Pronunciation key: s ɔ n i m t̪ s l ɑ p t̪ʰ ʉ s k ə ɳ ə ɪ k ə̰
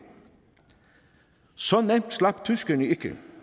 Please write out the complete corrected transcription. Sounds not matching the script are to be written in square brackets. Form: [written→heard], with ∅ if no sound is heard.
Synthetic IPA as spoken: s ɔ n [i→ɛ] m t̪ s l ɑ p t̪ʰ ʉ s k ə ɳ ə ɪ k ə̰